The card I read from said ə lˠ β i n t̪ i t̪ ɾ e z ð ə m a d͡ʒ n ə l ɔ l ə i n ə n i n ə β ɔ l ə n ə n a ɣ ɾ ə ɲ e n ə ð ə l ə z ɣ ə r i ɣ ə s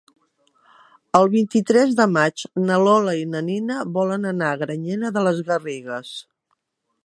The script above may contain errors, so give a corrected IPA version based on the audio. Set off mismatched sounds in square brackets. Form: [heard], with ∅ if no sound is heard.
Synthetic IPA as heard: ə lˠ β i n t̪ i t̪ ɾ [ɛ] z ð ə m a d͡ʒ n ə l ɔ l ə i n ə n i n ə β ɔ l ə n ə n a ɣ ɾ ə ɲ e n ə ð ə l ə z ɣ ə r i ɣ ə s